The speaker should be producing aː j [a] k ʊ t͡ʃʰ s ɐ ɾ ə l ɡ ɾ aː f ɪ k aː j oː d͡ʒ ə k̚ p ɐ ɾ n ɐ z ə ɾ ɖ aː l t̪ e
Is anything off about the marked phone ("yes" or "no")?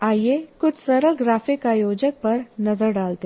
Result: yes